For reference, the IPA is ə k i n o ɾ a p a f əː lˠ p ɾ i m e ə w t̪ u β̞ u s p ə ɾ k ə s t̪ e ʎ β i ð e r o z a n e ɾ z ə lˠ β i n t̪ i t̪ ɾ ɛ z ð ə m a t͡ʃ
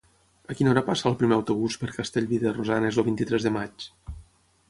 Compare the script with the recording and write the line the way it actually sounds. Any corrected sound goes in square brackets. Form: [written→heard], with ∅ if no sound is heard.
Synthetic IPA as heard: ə k i n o ɾ a p a [f→s] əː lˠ p ɾ i m e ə w t̪ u β̞ u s p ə ɾ k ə s t̪ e ʎ β i ð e r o z a n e [ɾ→∅] z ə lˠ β i n t̪ i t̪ ɾ ɛ z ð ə m a t͡ʃ